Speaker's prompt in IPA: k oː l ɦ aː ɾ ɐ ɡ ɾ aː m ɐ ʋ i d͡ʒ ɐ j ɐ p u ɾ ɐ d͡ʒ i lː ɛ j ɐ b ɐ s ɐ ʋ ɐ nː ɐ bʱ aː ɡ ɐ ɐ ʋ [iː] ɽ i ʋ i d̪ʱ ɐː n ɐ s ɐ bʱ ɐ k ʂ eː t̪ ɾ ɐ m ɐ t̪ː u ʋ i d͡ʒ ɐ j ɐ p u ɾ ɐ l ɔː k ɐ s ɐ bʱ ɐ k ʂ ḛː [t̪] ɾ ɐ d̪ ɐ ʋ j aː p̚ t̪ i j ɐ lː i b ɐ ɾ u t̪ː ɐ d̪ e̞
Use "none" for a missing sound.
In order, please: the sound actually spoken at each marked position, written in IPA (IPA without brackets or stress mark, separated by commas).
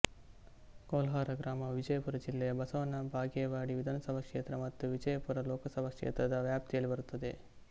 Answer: aː, t̪